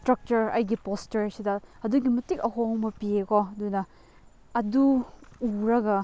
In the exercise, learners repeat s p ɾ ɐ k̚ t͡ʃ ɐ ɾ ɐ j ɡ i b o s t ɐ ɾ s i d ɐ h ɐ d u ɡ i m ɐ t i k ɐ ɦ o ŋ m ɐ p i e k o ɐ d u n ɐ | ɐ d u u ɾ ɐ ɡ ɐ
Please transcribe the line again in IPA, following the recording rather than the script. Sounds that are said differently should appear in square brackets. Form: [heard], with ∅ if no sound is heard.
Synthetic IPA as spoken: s [t] ɾ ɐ k̚ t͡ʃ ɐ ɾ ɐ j ɡ i [p] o s t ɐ ɾ s i d ɐ h ɐ d u ɡ i m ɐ t i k ɐ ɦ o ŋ m ɐ p i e k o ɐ d u n ɐ | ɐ d u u ɾ ɐ ɡ ɐ